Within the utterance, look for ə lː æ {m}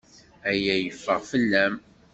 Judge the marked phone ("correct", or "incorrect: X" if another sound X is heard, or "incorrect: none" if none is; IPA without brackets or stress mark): correct